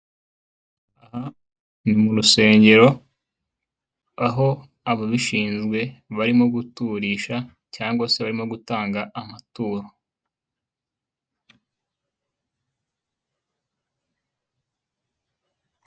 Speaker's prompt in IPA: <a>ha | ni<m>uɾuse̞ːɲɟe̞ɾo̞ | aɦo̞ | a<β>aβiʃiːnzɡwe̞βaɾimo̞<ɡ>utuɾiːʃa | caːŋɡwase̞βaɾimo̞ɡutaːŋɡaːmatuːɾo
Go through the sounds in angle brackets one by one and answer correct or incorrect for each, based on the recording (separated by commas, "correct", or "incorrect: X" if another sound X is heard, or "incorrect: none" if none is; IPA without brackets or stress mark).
correct, correct, correct, correct